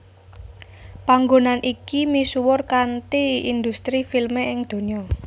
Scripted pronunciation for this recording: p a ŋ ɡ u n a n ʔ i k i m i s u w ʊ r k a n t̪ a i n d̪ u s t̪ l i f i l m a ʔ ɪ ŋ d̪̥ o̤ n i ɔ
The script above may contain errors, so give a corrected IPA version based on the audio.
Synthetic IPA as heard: p a ŋ ɡ o n a n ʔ i k i m i s u w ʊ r k a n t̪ i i n d̪ u s t̪ ɾ i f i l m e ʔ ɪ ŋ d̪̥ o̤ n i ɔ